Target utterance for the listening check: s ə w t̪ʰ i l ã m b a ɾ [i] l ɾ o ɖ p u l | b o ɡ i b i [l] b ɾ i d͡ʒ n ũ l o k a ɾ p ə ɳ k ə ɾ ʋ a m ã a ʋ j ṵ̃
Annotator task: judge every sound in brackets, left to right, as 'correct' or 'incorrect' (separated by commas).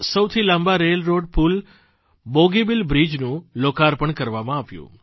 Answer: incorrect, correct